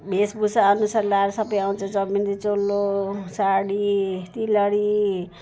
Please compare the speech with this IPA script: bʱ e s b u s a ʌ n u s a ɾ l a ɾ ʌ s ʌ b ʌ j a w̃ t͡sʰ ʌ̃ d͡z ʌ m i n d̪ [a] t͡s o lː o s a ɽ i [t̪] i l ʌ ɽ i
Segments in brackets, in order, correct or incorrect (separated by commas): incorrect, correct